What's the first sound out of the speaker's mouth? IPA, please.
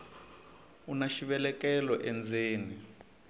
u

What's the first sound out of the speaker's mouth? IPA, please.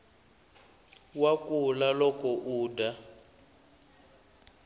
w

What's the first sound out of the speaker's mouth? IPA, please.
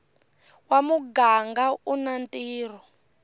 w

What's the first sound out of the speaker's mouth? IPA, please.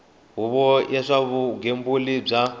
ɦ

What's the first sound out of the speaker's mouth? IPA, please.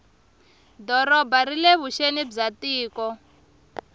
d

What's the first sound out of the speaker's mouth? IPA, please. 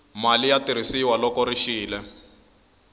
m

